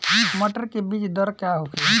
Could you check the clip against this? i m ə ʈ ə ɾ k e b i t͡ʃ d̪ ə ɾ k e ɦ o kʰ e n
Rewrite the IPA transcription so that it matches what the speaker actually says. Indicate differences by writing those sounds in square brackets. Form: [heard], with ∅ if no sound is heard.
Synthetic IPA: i m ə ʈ ə ɾ k e b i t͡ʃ d̪ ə ɾ k [a] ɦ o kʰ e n